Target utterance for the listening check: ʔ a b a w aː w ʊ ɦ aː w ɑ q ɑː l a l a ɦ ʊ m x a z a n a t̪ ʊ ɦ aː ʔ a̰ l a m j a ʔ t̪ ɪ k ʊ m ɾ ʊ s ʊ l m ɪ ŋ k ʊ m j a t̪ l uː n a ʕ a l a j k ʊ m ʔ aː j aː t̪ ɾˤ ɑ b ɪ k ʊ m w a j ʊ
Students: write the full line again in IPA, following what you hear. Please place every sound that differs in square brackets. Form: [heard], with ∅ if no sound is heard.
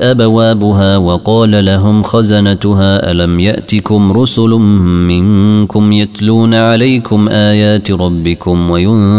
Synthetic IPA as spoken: ʔ a b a w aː [b] ʊ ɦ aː w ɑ q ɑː l a l a ɦ ʊ m x a z a n a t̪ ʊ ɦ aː ʔ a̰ l a m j a ʔ t̪ ɪ k ʊ m ɾ ʊ s ʊ l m ɪ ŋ k ʊ m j a t̪ l uː n a ʕ a l a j k ʊ m ʔ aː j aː t̪ ɾˤ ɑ [bː] ɪ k ʊ m w a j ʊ